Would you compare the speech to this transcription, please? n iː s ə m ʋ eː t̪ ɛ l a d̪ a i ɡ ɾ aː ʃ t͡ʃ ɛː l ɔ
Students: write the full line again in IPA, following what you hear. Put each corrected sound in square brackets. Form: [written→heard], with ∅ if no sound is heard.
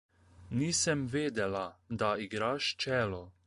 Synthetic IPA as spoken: n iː s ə m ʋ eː [t̪→d̪] ɛ l a d̪ a i ɡ ɾ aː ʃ t͡ʃ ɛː l ɔ